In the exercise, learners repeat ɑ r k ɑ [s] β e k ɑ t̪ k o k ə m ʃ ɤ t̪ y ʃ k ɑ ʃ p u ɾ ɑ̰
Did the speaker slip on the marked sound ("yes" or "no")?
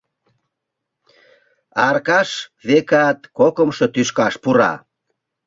yes